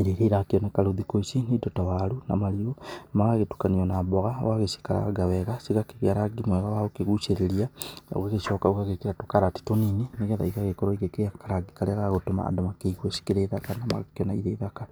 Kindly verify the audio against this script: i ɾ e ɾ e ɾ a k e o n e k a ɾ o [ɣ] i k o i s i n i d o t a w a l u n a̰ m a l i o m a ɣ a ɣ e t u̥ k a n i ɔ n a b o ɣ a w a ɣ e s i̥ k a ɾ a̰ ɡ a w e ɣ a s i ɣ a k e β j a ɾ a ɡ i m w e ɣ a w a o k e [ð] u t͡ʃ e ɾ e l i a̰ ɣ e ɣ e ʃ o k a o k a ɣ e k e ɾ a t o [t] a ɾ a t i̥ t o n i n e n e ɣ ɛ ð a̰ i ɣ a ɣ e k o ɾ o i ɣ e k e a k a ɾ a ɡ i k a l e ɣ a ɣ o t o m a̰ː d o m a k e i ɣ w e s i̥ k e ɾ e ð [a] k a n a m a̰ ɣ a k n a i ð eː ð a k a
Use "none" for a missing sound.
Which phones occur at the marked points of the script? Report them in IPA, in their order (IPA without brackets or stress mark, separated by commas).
ð, ɣ, k, a